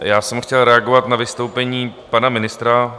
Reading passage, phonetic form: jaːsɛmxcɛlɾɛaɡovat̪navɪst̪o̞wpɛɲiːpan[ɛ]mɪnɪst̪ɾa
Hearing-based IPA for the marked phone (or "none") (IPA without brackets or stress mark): a